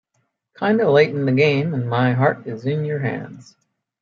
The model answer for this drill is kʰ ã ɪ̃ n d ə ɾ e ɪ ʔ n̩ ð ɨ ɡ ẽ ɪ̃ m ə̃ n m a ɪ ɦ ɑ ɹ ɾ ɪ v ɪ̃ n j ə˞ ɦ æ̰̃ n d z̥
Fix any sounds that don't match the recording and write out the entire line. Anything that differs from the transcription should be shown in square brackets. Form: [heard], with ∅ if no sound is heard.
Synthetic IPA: kʰ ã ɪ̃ n d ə [l] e ɪ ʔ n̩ ð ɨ ɡ ẽ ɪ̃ m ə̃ n m a ɪ ɦ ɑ ɹ ɾ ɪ [z] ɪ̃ n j ə˞ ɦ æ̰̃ n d z̥